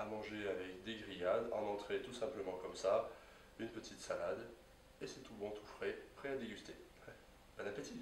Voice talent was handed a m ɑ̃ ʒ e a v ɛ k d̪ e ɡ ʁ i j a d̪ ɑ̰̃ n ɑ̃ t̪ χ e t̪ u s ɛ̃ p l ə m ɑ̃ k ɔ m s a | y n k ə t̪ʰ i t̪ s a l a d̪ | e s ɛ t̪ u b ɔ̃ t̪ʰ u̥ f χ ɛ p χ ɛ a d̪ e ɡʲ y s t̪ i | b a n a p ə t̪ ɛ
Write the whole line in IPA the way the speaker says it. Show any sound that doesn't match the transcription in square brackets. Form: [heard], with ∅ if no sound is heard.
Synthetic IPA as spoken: a m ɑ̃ ʒ e a v ɛ k d̪ e ɡ ʁ i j a d̪ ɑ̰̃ n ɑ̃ t̪ χ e t̪ u s ɛ̃ p l ə m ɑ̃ k ɔ m s a | y n [p] ə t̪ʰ i t̪ s a l a d̪ | e s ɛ t̪ u b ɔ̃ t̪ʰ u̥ f χ ɛ p χ ɛ a d̪ e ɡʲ y s t̪ [e] | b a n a p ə t̪ [i]